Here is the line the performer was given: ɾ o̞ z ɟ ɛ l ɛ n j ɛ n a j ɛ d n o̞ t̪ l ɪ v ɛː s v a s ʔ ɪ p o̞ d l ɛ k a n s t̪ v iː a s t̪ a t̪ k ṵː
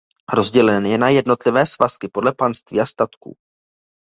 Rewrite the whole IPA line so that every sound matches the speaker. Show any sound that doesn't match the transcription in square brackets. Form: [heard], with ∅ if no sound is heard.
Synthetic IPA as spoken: ɾ o̞ z ɟ ɛ l ɛ n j ɛ n a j ɛ d n o̞ t̪ l ɪ v ɛː s v a s [k] ɪ p o̞ d l ɛ [p] a n s t̪ v iː a s t̪ a t̪ k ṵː